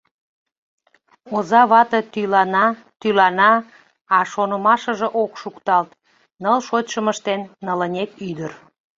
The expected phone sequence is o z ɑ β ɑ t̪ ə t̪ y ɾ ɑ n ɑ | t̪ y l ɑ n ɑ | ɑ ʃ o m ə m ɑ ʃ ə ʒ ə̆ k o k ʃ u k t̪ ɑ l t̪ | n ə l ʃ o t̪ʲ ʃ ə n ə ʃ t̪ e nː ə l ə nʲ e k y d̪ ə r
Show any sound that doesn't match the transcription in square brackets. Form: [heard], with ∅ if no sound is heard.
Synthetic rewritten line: o z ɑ β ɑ t̪ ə t̪ y [l] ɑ n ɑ | t̪ y l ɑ n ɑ | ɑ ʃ o [n] ə m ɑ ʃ ə ʒ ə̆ [ʔ] o k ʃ u k t̪ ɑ l t̪ | n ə l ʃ o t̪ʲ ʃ ə [m] ə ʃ t̪ e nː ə l ə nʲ e k y d̪ ə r

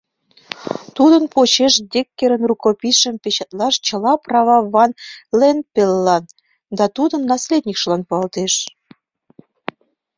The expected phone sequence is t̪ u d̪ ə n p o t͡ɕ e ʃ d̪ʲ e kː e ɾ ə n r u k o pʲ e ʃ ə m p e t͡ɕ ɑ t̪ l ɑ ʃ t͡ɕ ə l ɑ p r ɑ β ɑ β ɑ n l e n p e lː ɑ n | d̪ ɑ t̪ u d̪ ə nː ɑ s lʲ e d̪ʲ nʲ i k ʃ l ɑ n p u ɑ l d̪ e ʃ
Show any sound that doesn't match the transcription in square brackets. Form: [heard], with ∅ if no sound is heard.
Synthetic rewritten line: t̪ u d̪ ə n p o t͡ɕ e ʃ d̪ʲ e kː e ɾ ə n r u k o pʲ [i] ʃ ə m p e t͡ɕ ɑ t̪ l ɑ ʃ t͡ɕ ə l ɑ p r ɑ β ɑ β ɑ n l e n p e lː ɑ n | d̪ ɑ t̪ u d̪ ə nː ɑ s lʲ e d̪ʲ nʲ i k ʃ l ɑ n p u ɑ l [t̪] e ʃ

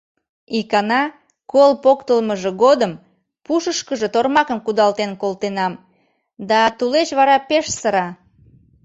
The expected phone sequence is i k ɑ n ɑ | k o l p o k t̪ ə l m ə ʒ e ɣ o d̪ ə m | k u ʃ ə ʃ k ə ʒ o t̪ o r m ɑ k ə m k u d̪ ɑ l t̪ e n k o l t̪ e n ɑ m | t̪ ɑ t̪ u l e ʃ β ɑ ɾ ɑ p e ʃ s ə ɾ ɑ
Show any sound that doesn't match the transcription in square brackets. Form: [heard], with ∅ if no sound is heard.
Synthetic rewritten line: i k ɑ n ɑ | k o l p o k t̪ ə l m ə ʒ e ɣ o d̪ ə m | [p] u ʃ ə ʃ k ə ʒ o t̪ o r m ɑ k ə m k u d̪ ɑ l t̪ e n k o l t̪ e n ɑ m | [d̪] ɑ t̪ u l e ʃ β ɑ ɾ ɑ p e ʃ s ə ɾ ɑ

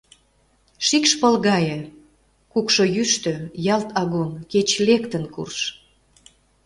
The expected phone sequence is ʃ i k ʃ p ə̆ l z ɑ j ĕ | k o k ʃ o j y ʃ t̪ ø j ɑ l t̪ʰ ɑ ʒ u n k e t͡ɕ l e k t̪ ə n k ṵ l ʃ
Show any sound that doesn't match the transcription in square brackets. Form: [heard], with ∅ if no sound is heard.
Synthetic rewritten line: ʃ i k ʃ p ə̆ l [ɣ] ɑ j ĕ | k [u] k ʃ o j y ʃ t̪ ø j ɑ l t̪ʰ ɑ [ɣ] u n k e t͡ɕ l e k t̪ ə n k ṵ [r] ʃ

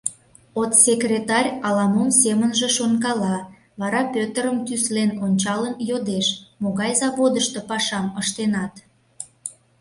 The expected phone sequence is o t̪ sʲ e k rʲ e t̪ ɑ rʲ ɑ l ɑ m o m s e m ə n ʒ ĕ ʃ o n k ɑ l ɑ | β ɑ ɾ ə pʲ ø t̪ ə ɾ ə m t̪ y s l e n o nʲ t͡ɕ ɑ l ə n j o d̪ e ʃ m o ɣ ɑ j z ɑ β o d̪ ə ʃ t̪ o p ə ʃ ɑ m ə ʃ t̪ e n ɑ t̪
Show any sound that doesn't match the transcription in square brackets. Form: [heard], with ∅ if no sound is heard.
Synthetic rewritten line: o t̪ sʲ e k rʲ e t̪ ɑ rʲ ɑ l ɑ m o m s e m ə n ʒ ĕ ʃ o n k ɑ l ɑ | β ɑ ɾ [ɑ] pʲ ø t̪ ə ɾ ə m t̪ y s l e n o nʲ t͡ɕ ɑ l ə n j o d̪ e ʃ m o ɣ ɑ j z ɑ β o d̪ ə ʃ t̪ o p [ɑ] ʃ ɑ m ə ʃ t̪ e n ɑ t̪

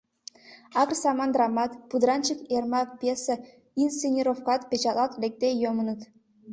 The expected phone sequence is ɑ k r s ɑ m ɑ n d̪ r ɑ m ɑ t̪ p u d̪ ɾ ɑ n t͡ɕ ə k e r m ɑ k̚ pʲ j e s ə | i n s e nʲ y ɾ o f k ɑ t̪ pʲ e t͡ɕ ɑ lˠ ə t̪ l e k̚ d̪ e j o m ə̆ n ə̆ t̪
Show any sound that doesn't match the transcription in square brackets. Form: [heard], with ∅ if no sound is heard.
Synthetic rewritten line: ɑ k r s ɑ m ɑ n d̪ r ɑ m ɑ t̪ p u d̪ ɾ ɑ n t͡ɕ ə k e r m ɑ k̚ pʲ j e s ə | i n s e nʲ [i] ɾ o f k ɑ t̪ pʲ e t͡ɕ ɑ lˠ [ɑ] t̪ l e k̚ [t̪] e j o m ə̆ n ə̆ t̪

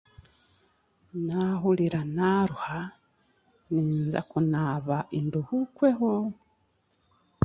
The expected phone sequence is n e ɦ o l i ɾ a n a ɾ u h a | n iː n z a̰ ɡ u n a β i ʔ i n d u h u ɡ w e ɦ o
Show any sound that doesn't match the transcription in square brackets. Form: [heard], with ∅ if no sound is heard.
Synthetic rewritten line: n [a] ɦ [u] l i ɾ a n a ɾ u h a | n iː n z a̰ [k] u n a β [a] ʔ i n d u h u [k] w e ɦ o

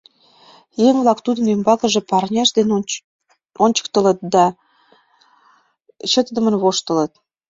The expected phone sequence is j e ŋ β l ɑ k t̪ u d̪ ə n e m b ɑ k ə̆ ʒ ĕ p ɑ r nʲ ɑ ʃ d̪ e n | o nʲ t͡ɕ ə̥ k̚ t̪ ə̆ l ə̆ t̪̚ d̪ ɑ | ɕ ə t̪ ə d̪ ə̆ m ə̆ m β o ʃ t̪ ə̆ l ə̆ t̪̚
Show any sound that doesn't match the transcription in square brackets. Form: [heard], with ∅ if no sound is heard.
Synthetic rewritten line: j e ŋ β l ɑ k t̪ u d̪ ə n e m b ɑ k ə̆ ʒ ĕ p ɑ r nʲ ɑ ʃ d̪ e n | o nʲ t͡ɕ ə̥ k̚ t̪ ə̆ l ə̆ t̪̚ d̪ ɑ | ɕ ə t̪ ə d̪ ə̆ m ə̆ [n] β o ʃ t̪ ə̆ l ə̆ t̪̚

